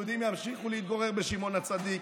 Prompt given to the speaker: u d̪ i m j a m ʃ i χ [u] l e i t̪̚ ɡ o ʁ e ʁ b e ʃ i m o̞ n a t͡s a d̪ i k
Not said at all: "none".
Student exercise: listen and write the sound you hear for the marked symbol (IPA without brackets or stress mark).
u